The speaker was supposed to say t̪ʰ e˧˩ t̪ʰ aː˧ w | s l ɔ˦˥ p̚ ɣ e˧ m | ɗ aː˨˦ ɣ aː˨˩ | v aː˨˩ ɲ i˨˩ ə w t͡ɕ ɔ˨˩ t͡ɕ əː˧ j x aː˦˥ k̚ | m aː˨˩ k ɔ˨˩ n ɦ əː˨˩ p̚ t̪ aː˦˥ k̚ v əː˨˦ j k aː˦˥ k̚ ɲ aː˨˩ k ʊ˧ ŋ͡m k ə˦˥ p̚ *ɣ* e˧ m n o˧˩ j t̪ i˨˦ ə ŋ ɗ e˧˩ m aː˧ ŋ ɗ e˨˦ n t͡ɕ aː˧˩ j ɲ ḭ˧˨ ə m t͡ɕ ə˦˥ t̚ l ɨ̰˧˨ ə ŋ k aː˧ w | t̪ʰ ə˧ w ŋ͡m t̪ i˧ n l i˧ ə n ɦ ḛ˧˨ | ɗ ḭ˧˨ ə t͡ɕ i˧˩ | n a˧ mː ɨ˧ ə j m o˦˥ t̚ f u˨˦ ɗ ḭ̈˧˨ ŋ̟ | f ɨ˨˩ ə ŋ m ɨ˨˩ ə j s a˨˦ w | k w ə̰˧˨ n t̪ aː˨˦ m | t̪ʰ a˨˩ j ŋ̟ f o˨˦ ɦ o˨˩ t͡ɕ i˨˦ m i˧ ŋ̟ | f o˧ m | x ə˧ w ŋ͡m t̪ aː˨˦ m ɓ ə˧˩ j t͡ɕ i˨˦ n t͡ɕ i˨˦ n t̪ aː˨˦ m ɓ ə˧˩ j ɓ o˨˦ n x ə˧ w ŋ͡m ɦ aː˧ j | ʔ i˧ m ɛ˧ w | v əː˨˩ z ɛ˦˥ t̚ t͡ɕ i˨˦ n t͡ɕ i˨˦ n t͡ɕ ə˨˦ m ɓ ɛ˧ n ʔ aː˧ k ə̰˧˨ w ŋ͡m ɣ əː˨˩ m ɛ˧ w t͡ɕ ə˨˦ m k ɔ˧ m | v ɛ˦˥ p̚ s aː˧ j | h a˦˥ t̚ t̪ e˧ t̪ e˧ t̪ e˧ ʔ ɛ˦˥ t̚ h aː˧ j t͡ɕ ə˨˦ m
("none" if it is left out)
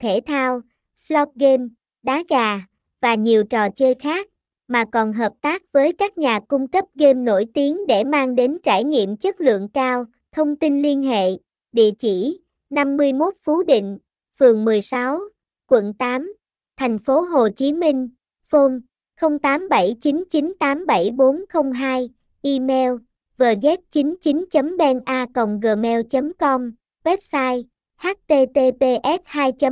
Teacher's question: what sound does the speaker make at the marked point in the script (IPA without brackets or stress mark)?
ɣ